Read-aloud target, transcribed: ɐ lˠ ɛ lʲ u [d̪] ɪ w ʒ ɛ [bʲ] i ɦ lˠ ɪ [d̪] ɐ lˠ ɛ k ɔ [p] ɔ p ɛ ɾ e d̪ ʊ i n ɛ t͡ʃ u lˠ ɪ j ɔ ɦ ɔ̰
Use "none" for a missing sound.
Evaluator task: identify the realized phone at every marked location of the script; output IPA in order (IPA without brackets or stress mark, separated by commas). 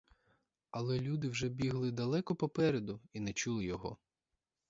d̪, bʲ, d̪, p